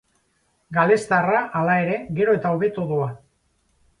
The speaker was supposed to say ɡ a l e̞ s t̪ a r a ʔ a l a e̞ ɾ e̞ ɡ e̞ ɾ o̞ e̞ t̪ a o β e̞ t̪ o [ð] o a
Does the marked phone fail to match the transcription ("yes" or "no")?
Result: no